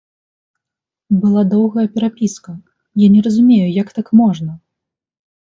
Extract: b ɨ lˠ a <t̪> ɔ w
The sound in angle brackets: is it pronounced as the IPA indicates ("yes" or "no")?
no